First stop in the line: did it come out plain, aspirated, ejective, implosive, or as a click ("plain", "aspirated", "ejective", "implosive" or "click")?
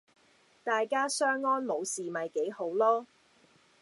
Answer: plain